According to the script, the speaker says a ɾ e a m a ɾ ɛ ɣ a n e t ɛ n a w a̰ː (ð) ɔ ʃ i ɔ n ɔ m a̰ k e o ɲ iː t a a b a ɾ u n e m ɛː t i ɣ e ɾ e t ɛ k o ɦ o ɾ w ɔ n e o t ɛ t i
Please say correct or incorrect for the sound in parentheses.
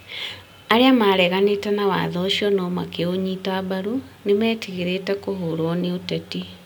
correct